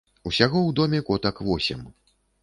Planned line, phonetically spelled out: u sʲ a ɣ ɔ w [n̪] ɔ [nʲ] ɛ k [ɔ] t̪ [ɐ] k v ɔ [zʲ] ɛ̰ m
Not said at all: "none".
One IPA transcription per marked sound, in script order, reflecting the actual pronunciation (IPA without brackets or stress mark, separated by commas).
d̪, mʲ, ɔ, ɐ, sʲ